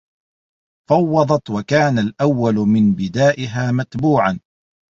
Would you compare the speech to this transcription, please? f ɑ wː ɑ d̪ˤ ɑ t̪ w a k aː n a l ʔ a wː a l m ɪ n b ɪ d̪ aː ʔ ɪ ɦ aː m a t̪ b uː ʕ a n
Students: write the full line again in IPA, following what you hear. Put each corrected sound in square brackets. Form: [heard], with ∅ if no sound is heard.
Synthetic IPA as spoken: f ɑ wː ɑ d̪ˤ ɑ t̪ w a k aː n a l ʔ a wː a l m ɪ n b ɪ d̪ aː ʔ ɪ ɦ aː m a t̪ b uː ʕ a n